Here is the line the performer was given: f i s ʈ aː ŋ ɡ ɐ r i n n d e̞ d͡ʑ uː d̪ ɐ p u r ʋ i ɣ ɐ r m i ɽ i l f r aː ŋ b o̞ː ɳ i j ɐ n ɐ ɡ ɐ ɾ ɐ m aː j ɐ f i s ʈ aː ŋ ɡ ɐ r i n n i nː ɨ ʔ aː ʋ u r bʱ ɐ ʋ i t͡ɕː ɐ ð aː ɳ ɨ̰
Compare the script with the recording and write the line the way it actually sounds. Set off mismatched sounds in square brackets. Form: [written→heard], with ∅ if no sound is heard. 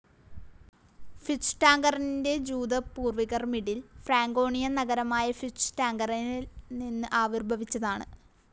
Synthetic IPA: f i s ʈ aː ŋ ɡ ɐ r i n n d e̞ d͡ʑ uː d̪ ɐ p [u→uː] r ʋ i ɣ ɐ r m i ɽ i l f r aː ŋ [b→ɡ] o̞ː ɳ i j ɐ n ɐ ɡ ɐ ɾ ɐ m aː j ɐ f i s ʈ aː ŋ ɡ ɐ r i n n i nː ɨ ʔ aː ʋ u r bʱ ɐ ʋ i t͡ɕː ɐ ð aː ɳ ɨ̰